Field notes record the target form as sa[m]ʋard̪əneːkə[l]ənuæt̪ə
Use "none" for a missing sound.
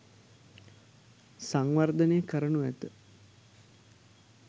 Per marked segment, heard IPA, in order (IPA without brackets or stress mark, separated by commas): ŋ, ɾ